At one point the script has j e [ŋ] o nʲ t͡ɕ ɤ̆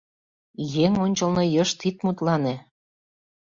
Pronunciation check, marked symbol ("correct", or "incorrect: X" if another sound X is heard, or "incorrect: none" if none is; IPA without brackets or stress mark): correct